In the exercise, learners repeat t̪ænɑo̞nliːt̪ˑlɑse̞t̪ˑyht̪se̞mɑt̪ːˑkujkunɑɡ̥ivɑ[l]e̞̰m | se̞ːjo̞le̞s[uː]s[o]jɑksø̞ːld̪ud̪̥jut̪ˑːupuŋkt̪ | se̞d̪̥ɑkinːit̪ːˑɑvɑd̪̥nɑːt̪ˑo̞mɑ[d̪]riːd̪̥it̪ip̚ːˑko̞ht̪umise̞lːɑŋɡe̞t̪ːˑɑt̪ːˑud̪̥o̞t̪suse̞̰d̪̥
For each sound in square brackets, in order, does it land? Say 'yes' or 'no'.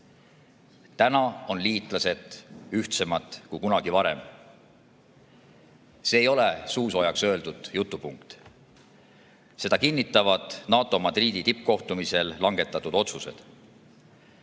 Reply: no, yes, yes, yes

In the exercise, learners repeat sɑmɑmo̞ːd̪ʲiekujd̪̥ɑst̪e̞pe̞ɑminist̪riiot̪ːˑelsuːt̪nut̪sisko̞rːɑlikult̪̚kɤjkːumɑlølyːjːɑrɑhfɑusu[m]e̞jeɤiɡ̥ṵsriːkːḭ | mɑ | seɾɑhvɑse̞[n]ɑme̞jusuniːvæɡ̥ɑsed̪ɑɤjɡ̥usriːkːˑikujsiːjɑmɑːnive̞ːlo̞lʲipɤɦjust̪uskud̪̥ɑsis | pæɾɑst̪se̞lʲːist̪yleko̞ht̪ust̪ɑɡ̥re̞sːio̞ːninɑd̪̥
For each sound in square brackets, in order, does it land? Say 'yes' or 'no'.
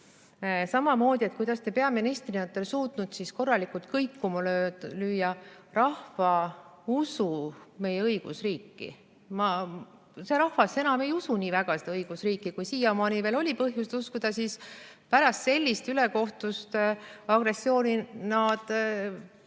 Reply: yes, yes

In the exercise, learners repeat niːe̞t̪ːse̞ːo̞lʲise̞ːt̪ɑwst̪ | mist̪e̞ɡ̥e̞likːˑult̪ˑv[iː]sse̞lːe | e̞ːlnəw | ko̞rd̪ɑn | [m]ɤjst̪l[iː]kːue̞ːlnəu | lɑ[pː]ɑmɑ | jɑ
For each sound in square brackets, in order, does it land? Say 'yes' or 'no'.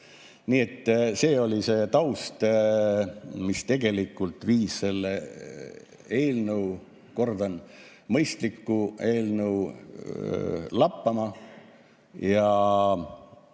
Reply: yes, yes, no, yes

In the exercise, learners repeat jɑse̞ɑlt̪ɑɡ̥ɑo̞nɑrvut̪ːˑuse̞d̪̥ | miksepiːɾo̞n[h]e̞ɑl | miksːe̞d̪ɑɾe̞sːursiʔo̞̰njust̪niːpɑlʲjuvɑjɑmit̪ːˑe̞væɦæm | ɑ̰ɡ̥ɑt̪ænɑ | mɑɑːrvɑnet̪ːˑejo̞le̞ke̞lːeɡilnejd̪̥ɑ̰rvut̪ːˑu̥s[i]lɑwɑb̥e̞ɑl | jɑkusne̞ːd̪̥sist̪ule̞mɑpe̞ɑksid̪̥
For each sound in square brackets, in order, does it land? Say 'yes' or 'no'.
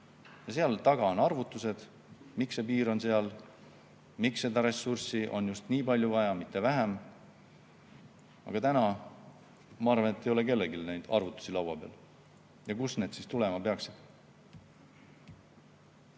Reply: no, yes

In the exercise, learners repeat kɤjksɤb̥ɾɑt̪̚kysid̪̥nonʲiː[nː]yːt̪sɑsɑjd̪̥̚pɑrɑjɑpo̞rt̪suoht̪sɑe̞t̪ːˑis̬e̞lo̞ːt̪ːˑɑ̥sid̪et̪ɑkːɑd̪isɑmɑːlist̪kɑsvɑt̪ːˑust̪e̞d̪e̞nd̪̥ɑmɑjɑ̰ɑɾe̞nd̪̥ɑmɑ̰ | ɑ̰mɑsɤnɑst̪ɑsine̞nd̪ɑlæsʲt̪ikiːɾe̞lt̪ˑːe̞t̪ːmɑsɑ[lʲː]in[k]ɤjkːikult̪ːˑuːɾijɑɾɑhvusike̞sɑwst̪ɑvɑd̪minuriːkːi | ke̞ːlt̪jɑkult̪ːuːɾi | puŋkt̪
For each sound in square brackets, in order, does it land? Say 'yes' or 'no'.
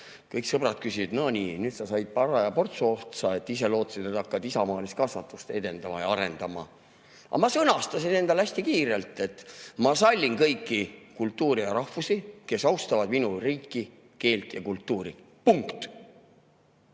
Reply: no, yes, yes

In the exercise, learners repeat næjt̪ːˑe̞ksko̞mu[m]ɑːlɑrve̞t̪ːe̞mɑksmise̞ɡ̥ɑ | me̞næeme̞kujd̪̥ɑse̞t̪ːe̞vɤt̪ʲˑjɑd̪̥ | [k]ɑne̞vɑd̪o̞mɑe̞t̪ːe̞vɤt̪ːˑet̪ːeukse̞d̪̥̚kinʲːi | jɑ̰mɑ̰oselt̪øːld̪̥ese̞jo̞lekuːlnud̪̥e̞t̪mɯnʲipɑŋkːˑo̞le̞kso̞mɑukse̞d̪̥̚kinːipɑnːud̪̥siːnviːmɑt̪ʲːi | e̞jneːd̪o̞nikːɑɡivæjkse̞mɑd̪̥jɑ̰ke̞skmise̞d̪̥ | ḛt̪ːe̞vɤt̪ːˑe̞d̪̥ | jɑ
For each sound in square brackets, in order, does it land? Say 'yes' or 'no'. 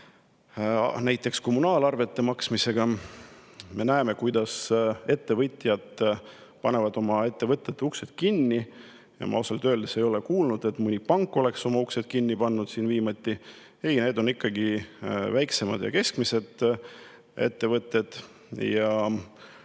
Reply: no, no

